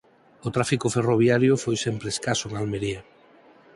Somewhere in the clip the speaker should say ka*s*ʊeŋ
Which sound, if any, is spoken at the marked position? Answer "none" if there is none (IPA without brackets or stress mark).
s